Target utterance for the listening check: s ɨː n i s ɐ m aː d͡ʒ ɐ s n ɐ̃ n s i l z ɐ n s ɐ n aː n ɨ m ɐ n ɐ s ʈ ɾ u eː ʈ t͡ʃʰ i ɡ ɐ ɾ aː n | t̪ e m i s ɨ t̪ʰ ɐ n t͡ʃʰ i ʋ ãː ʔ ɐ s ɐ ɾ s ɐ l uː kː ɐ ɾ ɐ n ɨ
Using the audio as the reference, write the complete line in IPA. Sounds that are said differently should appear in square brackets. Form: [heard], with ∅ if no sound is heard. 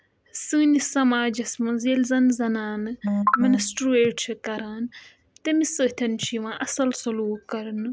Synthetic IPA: s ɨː n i s ɐ m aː d͡ʒ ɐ s [m] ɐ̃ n [z] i l z ɐ n [z] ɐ n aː n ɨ m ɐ n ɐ s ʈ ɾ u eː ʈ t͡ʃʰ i [k] ɐ ɾ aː n | t̪ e m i s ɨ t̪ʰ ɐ n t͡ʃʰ i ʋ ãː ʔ ɐ s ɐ [l] s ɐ l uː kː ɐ ɾ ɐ n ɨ